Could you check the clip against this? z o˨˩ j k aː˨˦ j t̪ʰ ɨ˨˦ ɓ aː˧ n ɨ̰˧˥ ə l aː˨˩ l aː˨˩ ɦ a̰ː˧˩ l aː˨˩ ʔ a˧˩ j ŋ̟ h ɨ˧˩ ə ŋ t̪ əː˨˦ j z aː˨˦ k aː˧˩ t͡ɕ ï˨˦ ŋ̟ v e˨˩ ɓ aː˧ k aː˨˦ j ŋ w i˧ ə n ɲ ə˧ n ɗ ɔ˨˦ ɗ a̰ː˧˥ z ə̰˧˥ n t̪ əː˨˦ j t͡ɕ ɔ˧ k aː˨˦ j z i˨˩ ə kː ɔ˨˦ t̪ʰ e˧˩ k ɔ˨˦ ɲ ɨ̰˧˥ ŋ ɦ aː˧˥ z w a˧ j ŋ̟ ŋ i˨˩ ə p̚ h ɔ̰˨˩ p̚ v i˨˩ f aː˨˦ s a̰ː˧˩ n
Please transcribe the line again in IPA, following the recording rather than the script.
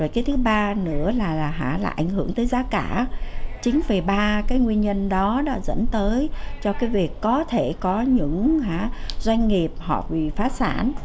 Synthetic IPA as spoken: z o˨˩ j k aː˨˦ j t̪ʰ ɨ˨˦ ɓ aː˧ n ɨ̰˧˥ ə l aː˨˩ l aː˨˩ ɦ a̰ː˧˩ l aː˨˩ ʔ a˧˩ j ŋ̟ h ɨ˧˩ ə ŋ t̪ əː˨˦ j z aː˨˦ k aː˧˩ t͡ɕ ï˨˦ ŋ̟ v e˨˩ ɓ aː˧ k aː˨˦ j ŋ w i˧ ə n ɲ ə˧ n ɗ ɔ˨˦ ɗ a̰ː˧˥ z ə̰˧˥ n t̪ əː˨˦ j t͡ɕ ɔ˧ k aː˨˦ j v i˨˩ ə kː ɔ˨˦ t̪ʰ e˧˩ k ɔ˨˦ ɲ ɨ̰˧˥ ŋ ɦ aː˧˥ z w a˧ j ŋ̟ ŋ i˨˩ ə p̚ h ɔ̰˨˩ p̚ v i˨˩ f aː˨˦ s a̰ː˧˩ n